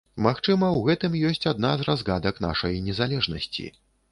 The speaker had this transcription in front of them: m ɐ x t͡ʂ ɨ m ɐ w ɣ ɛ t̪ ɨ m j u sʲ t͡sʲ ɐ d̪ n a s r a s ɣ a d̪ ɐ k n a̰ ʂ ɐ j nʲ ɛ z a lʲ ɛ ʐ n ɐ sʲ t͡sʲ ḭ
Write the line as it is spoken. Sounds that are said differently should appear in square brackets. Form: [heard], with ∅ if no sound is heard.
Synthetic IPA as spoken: m [a] x t͡ʂ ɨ m ɐ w ɣ ɛ t̪ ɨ m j [ɔ] sʲ t͡sʲ [a] d̪ n a [z] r a [z] ɣ a d̪ ɐ k n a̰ ʂ ɐ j nʲ ɛ z a lʲ ɛ ʐ n ɐ sʲ t͡sʲ ḭ

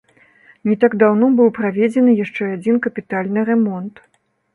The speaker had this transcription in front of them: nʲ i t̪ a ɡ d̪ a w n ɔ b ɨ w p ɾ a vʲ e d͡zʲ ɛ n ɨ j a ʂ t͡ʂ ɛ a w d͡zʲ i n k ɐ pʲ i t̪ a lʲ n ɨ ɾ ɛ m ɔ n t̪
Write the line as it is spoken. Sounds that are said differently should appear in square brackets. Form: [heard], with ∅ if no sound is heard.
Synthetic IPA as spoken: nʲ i t̪ a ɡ d̪ a w n ɔ b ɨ w p ɾ a vʲ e d͡zʲ ɛ n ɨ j a ʂ t͡ʂ ɛ a [∅] d͡zʲ i n k ɐ pʲ i t̪ a lʲ n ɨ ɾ ɛ m ɔ n t̪

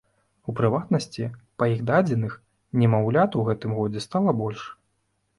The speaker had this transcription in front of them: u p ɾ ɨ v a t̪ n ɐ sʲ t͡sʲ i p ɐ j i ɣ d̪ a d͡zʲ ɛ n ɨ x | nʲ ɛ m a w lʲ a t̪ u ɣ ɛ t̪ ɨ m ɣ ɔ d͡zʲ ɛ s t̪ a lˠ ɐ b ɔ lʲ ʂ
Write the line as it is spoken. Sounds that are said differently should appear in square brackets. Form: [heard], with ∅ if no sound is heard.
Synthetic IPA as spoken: u p ɾ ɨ v a t̪ n ɐ sʲ t͡sʲ i p ɐ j i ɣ d̪ a d͡zʲ ɛ n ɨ x | nʲ ɛ m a w lʲ a t̪ u ɣ ɛ t̪ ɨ m ɣ ɔ d͡zʲ ɛ s t̪ a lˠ ɐ b ɔ lʲ ʂ

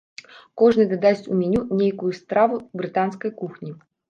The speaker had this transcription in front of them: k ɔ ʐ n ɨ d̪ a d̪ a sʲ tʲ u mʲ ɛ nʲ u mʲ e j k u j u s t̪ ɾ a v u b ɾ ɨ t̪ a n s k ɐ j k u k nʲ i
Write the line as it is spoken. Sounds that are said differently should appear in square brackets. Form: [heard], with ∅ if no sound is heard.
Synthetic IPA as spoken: k ɔ ʐ n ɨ d̪ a d̪ a sʲ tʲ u mʲ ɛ nʲ u [nʲ] e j k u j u s t̪ ɾ a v u b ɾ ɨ t̪ a n s k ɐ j k u [x] nʲ i

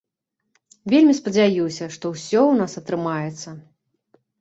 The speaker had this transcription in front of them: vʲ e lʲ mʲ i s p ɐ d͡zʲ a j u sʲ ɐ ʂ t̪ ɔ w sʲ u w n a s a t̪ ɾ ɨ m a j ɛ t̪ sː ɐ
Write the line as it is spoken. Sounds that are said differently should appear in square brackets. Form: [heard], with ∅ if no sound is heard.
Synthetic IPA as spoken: vʲ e lʲ mʲ i s p ɐ d͡zʲ a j u sʲ ɐ ʂ t̪ ɔ w sʲ [ɔ] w n a s [ɐ] t̪ ɾ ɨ m a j ɛ t̪ sː ɐ

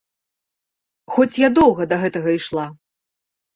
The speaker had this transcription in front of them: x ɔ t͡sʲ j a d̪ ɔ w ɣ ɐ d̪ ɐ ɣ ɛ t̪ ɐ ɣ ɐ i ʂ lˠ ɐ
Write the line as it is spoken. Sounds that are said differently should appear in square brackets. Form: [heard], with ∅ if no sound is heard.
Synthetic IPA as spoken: x ɔ t͡sʲ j a d̪ ɔ w ɣ ɐ d̪ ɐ ɣ ɛ t̪ ɐ ɣ ɐ i ʂ lˠ [a]

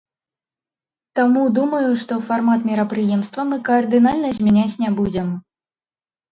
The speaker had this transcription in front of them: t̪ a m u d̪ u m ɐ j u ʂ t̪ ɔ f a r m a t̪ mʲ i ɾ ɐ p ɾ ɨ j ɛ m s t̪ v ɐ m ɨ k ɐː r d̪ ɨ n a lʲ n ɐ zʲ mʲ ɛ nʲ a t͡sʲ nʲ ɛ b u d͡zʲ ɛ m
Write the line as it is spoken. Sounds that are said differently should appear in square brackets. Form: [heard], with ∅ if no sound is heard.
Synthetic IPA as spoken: t̪ a m u d̪ u m ɐ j u ʂ t̪ ɔ f a r m a t̪ mʲ i ɾ ɐ p ɾ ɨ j ɛ m s t̪ v ɐ m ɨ k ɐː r d̪ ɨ n a lʲ n ɐ zʲ mʲ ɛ nʲ a t͡sʲ nʲ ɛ b u d͡zʲ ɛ m

